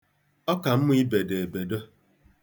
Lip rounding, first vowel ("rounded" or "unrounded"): rounded